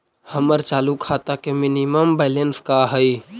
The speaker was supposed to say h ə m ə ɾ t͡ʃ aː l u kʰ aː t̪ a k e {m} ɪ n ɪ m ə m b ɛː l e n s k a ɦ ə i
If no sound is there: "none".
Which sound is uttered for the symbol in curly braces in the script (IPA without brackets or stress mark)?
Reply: m